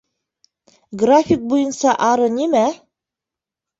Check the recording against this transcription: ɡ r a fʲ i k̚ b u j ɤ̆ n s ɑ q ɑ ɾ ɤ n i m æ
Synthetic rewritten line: ɡ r a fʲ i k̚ b u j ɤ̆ n s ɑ ʔ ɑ ɾ ɤ n i m æ